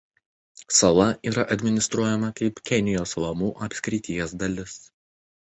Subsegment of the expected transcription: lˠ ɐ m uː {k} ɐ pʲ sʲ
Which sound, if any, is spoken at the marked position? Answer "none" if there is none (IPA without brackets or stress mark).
ʔ